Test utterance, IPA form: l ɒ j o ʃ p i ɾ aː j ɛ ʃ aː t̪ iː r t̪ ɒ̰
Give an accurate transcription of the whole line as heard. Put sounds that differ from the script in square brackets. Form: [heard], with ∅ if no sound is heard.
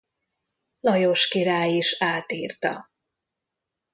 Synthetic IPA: l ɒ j o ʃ [k] i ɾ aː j [i] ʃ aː t̪ iː r t̪ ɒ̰